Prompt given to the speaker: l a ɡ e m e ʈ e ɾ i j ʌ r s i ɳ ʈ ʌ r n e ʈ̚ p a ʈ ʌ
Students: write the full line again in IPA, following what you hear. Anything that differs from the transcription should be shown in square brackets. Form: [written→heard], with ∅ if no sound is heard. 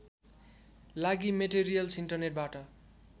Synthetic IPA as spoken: l a ɡ [e→i] m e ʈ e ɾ i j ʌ [r→l] s i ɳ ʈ ʌ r n e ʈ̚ [p→b] a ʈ ʌ

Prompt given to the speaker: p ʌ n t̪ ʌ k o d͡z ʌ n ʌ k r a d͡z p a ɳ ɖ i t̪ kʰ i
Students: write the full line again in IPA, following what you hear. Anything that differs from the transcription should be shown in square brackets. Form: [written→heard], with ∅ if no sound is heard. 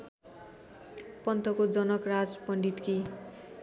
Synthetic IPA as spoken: p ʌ n t̪ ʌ k o d͡z ʌ n ʌ k r a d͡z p [a→ʌ] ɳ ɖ i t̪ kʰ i

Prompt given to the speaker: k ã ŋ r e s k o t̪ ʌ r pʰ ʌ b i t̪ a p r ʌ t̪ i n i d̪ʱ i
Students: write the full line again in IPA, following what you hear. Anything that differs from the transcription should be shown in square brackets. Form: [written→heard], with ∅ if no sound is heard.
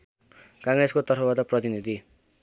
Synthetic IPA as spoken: k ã ŋ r e s k o t̪ ʌ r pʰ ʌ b [i→a] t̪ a p r ʌ t̪ i n i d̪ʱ i

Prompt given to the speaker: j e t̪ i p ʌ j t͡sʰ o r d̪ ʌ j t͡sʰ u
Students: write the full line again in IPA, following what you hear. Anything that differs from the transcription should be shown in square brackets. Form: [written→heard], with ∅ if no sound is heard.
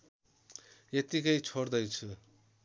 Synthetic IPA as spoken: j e t̪ i [p→k] ʌ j t͡sʰ o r d̪ ʌ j t͡sʰ u

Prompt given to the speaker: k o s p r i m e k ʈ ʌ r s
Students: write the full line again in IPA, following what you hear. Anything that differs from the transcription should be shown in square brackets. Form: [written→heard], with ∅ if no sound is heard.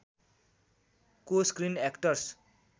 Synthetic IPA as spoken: k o s [p→k] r i [m→n] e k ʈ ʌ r s

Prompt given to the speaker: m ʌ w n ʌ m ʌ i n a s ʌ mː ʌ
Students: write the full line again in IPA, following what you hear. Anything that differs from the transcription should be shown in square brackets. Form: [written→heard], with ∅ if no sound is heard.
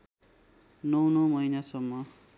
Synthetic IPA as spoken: [m→n] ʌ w n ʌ m ʌ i n a s ʌ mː ʌ

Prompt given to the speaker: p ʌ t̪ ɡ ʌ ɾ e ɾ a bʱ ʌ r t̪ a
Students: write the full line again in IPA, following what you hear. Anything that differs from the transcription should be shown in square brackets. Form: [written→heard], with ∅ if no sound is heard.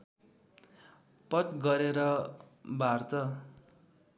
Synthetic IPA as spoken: p ʌ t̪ ɡ ʌ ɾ e ɾ [a→ʌ] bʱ [ʌ→a] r t̪ [a→ʌ]

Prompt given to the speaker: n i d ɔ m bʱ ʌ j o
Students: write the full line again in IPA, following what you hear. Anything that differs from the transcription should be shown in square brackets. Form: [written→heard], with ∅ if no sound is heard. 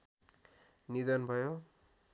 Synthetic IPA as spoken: n i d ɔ [m→n] bʱ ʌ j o

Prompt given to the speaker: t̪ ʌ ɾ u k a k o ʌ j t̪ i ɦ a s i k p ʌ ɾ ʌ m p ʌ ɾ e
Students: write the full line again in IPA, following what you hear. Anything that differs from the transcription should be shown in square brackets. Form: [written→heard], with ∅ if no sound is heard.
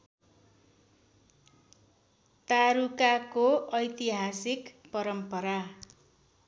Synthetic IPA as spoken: t̪ [ʌ→a] ɾ u k a k o ʌ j t̪ i ɦ a s i k p ʌ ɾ ʌ m p ʌ ɾ [e→a]

